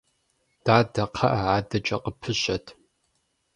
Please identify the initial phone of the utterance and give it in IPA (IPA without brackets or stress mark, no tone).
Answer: d̥